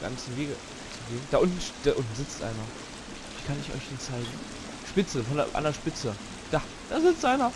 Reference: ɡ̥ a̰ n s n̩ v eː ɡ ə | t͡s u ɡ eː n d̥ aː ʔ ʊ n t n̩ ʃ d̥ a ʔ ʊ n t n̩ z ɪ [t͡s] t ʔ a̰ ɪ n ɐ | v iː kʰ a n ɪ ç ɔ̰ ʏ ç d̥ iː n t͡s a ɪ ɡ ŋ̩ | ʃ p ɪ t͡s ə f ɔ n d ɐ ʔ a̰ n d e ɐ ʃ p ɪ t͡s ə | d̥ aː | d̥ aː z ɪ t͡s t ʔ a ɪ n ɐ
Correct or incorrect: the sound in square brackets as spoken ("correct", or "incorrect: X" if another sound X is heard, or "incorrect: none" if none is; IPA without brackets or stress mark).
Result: correct